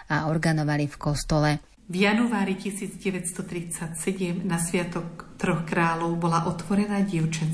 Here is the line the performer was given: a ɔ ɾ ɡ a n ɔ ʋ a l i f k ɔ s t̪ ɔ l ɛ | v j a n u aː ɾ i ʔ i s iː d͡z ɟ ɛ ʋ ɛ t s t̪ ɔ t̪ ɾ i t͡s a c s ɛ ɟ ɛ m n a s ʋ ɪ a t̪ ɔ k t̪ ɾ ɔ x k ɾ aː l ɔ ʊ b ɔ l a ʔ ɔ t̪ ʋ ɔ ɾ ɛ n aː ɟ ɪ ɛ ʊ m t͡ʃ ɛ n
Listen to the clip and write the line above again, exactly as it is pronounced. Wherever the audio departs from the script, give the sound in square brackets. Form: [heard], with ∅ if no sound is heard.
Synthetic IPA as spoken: a ɔ ɾ ɡ a n ɔ ʋ a l i f k ɔ s t̪ ɔ l ɛ | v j a n u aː ɾ i [c] i s iː d͡z ɟ ɛ ʋ ɛ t s t̪ ɔ t̪ ɾ i t͡s a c s ɛ ɟ ɛ m n a s ʋ ɪ a t̪ ɔ k t̪ ɾ ɔ x k ɾ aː l ɔ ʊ b ɔ l a ʔ ɔ t̪ ʋ ɔ ɾ ɛ n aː ɟ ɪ ɛ ʊ [∅] t͡ʃ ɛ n